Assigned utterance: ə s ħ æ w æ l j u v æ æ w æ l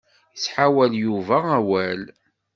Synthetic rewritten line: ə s ħ a w æ l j u v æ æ w æ l